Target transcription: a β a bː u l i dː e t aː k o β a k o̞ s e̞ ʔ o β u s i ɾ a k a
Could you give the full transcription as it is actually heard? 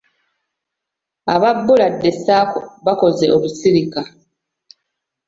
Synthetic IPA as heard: a β a bː u l a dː e s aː k o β a k o̞ z e̞ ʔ o β u s i ɾ i k a